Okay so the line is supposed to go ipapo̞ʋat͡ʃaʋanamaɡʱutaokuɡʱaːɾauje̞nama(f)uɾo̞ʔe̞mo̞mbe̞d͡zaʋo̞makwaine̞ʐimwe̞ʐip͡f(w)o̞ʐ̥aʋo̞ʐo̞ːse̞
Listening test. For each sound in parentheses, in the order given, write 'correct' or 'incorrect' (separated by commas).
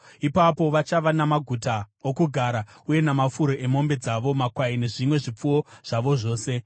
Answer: correct, incorrect